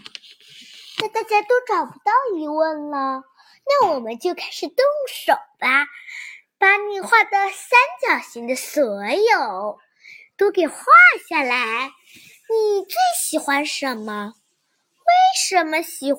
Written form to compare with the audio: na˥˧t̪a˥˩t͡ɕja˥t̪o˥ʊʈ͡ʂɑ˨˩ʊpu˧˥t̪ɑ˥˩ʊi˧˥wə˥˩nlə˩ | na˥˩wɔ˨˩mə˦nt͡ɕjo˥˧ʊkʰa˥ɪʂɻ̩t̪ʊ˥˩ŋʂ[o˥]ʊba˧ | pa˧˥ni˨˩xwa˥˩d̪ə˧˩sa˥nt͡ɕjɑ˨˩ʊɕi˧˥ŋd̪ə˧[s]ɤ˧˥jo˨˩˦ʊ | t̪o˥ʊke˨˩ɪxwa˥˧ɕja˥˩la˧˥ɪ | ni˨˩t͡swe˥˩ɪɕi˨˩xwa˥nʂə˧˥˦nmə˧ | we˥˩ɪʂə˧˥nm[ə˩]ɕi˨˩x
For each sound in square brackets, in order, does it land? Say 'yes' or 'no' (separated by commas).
no, yes, no